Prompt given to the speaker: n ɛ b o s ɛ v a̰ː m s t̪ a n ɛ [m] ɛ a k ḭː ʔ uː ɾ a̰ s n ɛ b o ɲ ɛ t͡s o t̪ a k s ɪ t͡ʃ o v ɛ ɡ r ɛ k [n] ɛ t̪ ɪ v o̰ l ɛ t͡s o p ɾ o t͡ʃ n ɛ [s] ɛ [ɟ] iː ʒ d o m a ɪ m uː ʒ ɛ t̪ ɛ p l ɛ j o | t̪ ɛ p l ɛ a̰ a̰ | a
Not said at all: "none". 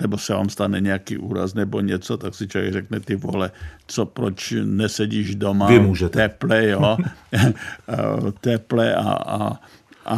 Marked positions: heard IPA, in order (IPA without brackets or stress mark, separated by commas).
ɲ, n, s, ɟ